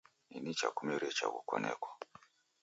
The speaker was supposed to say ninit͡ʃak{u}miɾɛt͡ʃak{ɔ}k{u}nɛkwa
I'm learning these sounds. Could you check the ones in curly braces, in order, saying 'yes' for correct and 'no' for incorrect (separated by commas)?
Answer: yes, no, no